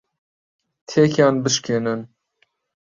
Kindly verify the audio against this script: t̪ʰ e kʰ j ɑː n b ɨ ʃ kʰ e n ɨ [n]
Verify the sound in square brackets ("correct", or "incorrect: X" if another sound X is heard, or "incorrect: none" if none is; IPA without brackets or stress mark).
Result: correct